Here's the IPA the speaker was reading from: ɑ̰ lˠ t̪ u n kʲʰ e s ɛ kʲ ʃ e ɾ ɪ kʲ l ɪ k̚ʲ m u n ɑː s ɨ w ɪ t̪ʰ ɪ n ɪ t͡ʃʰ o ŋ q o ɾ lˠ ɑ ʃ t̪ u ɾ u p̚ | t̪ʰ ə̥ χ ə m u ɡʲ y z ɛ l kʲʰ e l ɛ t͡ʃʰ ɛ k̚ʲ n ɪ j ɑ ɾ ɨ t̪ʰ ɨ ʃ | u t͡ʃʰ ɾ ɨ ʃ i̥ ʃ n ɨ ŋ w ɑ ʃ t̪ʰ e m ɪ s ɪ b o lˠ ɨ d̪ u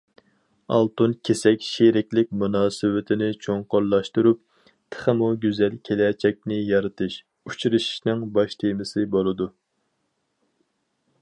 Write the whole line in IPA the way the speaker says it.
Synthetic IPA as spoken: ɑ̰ lˠ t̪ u n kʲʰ e s ɛ kʲ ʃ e ɾ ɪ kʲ l ɪ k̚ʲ m u n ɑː s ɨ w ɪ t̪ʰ ɪ n ɪ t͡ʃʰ o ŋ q o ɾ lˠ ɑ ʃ t̪ u ɾ u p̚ | t̪ʰ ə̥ χ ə m u ɡʲ y z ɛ l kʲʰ e l ɛ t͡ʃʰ ɛ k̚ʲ n ɪ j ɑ ɾ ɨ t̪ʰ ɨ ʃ | u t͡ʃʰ ɾ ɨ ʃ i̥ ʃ n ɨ ŋ b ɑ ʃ t̪ʰ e m ɪ s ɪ b o lˠ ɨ d̪ u